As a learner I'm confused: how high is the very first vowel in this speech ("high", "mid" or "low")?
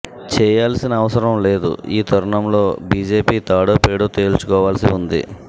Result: mid